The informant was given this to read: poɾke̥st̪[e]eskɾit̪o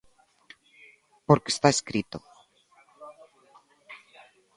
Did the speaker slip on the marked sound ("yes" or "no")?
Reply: yes